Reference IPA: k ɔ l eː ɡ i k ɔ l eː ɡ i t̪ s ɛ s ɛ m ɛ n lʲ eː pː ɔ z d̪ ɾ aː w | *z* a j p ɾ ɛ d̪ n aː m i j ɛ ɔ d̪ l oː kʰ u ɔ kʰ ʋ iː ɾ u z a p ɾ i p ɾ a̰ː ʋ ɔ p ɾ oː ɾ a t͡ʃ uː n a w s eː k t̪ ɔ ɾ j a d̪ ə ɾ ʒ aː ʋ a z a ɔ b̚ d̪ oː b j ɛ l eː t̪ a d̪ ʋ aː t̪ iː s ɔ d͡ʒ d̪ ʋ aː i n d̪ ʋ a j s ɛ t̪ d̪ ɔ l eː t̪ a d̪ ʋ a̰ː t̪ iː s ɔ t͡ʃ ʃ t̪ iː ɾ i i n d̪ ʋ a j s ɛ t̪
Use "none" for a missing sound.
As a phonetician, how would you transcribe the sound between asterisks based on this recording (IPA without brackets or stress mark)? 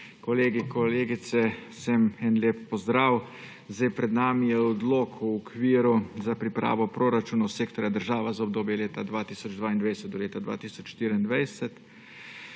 z